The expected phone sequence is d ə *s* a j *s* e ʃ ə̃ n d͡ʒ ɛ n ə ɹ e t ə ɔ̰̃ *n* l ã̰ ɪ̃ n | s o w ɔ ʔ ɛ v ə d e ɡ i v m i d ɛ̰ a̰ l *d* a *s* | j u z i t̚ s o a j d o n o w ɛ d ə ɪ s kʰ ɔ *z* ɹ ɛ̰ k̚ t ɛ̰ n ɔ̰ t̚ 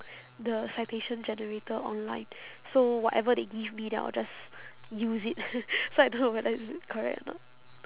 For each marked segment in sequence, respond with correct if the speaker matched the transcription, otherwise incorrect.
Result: correct, incorrect, correct, incorrect, correct, incorrect

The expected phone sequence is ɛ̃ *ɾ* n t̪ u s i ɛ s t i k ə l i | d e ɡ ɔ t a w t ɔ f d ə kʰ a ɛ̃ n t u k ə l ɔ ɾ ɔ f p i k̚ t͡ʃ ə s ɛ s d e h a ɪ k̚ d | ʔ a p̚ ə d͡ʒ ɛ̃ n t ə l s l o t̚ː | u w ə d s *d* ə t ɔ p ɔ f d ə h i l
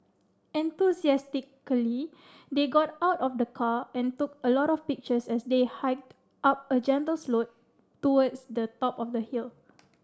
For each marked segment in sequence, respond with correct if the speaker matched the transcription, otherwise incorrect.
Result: incorrect, correct

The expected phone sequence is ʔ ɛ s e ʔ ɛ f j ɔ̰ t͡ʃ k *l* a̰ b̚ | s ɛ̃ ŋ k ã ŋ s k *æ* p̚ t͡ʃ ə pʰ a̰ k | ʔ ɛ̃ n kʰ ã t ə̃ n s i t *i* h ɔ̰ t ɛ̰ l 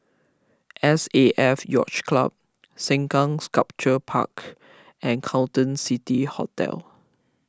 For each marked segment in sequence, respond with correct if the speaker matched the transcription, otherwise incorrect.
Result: correct, incorrect, correct

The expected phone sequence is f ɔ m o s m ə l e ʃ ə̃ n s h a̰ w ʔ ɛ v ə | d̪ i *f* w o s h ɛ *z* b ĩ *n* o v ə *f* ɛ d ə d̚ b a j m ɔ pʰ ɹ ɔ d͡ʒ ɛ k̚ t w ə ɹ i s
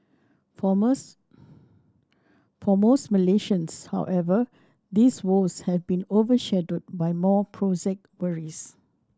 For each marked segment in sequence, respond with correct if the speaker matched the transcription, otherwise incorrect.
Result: incorrect, incorrect, correct, incorrect

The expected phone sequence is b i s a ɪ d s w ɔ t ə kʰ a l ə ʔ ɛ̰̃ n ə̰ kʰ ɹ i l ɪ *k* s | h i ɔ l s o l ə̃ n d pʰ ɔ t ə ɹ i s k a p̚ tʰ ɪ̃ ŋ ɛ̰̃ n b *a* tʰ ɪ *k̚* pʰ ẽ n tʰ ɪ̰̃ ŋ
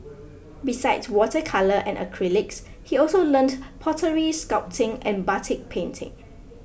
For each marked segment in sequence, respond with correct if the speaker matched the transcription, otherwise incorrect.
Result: correct, correct, correct

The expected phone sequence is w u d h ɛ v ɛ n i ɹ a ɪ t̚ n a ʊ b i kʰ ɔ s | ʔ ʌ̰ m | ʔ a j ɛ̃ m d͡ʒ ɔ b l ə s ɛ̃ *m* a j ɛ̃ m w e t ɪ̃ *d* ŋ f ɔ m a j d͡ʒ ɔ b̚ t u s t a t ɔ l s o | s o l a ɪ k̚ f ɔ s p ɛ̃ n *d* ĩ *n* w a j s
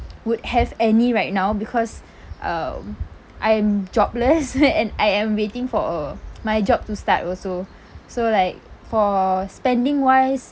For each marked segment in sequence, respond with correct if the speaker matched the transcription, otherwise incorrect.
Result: incorrect, incorrect, correct, incorrect

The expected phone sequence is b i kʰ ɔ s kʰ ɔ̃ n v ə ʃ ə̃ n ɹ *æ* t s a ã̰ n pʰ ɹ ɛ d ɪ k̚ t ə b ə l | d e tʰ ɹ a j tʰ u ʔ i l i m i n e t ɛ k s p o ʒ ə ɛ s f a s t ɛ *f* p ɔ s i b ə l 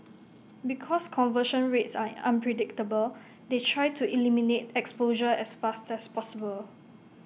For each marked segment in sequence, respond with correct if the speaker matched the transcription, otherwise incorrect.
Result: incorrect, incorrect

